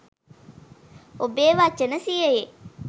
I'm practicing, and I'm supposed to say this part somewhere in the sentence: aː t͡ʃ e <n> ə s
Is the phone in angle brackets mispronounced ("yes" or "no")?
no